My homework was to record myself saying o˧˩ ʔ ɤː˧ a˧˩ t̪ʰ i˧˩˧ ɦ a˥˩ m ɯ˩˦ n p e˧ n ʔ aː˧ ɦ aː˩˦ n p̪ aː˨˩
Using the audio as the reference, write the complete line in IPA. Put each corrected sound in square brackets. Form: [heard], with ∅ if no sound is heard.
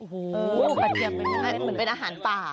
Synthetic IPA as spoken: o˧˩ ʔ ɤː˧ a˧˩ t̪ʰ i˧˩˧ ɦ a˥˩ m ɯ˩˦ n p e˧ n ʔ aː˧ ɦ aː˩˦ n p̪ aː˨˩